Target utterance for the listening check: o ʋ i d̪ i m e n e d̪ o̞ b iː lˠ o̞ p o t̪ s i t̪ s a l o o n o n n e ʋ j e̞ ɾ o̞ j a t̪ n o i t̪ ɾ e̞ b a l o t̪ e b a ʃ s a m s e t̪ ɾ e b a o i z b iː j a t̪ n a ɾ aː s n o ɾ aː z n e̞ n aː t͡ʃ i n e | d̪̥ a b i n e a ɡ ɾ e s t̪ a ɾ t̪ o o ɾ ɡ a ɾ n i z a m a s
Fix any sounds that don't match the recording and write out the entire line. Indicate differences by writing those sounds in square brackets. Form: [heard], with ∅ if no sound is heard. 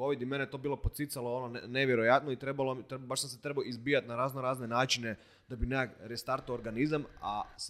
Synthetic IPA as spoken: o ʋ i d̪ i m e n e [t̪] o̞ b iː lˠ o̞ p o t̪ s i t̪ s a l o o n o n n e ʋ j e̞ ɾ o̞ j a t̪ n o i t̪ ɾ e̞ b a l o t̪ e b a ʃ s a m s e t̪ ɾ e b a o i z b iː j a t̪ n a ɾ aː [z] n o ɾ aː z n e̞ n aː t͡ʃ i n e | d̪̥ a b i n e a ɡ ɾ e s t̪ a ɾ t̪ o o ɾ ɡ a [∅] n i z a m a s